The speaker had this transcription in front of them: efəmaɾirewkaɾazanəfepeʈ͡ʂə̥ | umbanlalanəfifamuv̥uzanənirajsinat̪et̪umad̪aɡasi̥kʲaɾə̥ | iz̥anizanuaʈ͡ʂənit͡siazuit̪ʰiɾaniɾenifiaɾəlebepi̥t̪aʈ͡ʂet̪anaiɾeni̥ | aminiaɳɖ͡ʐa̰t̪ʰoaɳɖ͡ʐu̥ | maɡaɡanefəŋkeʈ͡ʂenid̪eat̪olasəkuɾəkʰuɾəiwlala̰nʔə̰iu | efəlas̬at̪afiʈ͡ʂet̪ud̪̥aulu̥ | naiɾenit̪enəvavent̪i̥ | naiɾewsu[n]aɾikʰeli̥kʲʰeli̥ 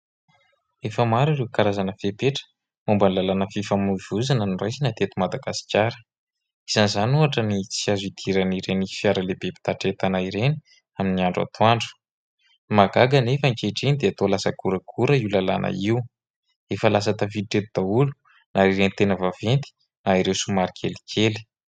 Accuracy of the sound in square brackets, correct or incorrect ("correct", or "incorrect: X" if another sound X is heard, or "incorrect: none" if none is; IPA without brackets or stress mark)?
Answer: incorrect: m